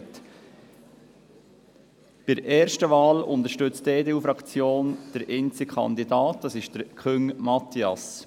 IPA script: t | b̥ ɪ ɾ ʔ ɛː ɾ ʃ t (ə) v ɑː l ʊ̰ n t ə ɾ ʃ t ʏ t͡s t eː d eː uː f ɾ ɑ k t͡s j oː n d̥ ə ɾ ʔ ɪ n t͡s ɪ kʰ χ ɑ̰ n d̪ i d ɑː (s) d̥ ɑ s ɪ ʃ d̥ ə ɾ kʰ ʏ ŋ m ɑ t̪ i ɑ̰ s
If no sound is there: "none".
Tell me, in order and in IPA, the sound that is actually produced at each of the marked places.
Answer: ə, t

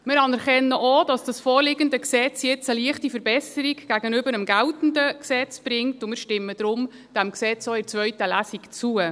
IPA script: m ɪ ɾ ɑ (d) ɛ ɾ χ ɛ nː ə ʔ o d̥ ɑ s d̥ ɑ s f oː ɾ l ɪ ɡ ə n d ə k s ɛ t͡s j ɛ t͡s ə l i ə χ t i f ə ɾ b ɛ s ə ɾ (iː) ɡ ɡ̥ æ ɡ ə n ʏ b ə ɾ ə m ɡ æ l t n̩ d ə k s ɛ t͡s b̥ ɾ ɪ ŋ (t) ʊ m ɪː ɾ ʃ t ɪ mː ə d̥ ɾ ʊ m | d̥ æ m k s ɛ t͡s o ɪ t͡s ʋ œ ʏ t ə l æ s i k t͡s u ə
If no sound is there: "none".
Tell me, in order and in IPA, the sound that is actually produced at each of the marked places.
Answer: n, i, t

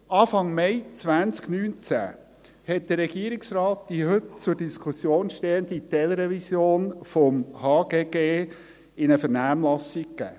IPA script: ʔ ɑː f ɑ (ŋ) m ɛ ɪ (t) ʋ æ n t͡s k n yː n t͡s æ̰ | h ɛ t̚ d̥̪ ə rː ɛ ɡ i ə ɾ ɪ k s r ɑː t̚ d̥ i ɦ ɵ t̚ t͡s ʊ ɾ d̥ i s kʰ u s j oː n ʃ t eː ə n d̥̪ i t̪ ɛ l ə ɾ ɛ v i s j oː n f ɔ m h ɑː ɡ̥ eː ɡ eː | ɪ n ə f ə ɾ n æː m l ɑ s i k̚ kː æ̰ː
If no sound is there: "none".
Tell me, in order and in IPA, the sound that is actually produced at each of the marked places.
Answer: ŋ, t͡s

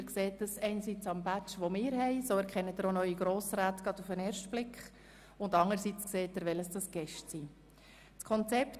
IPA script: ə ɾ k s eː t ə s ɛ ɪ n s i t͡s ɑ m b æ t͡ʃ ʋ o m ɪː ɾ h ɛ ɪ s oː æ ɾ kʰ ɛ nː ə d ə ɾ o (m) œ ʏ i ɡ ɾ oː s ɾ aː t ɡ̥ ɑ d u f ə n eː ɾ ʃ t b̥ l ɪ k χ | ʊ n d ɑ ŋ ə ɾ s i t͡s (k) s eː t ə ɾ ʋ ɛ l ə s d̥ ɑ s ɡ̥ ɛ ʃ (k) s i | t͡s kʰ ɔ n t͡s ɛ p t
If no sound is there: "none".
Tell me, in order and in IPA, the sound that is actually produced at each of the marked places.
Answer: n, k, t

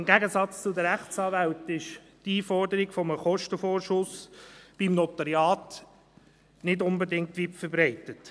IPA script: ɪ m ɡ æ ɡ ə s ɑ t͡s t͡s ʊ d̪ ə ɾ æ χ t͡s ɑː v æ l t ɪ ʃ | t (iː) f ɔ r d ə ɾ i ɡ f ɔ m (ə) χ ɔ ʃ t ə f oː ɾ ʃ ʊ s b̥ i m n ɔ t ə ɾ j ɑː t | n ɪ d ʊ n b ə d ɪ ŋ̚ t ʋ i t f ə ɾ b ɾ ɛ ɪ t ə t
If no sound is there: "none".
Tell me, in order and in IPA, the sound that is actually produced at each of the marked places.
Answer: iː, ə

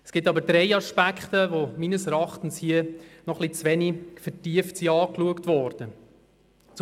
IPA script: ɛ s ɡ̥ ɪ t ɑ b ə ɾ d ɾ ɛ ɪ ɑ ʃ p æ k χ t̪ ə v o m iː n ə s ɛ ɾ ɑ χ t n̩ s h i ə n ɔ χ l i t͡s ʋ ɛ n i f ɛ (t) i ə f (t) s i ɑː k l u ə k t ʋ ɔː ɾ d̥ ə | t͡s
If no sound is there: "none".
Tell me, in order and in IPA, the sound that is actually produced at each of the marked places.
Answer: t, t

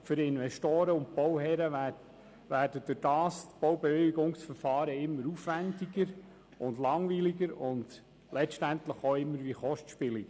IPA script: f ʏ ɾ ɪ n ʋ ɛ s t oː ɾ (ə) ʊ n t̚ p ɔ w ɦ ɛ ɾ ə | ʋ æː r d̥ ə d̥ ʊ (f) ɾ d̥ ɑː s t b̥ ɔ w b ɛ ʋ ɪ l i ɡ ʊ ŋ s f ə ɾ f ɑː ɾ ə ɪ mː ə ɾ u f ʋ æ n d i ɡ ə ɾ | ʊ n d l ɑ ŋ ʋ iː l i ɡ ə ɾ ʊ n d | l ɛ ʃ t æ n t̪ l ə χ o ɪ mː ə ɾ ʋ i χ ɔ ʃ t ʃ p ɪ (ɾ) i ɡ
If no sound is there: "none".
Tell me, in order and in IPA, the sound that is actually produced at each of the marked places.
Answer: ə, none, l

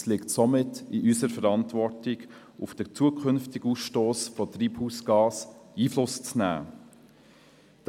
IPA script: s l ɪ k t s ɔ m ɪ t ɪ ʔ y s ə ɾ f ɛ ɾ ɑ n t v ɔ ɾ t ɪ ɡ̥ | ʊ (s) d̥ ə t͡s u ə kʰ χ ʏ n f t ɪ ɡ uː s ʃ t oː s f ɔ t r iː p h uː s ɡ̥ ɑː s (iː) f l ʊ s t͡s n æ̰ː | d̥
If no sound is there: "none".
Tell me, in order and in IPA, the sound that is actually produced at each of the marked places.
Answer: f, iː

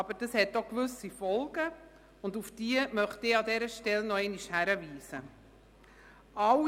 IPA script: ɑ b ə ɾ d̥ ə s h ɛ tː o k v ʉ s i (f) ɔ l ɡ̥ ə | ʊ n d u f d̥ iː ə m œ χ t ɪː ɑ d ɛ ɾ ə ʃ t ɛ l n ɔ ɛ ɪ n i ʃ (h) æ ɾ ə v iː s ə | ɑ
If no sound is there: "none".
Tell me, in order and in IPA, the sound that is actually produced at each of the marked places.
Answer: f, h

